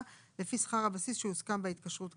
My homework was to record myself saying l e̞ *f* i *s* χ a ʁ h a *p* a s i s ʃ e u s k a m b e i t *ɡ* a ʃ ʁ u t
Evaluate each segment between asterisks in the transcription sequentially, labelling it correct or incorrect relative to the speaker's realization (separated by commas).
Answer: correct, correct, incorrect, incorrect